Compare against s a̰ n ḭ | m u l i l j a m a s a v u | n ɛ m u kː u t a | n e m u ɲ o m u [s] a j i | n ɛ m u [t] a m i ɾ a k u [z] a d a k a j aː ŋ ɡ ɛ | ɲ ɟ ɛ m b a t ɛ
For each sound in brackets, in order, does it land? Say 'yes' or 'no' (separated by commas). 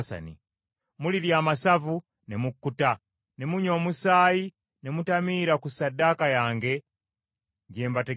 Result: yes, yes, no